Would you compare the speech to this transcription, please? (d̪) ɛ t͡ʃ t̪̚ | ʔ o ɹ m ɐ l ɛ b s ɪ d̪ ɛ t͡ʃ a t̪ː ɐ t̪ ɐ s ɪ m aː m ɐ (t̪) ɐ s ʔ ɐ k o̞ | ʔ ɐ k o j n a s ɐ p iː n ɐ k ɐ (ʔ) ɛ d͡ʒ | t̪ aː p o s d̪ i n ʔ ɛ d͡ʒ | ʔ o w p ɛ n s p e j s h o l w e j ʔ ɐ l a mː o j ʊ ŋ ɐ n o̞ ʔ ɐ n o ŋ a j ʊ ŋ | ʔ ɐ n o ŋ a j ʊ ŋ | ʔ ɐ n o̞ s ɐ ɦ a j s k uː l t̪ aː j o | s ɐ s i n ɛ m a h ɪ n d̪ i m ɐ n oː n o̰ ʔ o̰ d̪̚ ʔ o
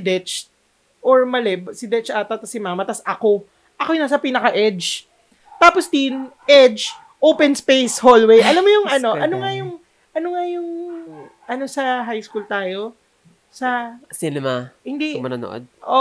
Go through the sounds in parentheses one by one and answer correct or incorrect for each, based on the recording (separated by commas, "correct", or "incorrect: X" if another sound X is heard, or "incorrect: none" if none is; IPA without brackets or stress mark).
correct, correct, correct